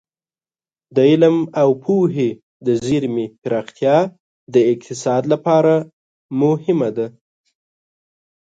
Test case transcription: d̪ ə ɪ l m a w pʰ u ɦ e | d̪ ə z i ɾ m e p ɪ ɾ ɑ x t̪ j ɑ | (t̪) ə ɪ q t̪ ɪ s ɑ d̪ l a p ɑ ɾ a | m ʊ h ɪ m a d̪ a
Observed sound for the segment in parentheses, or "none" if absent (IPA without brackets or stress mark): d̪